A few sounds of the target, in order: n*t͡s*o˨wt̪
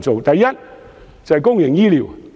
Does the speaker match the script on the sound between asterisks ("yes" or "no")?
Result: yes